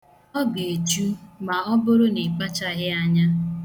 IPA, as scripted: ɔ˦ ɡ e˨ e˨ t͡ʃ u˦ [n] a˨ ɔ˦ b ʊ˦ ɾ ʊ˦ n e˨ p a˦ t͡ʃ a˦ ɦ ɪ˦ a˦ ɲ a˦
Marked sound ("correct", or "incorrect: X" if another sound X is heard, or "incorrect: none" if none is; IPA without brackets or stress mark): incorrect: m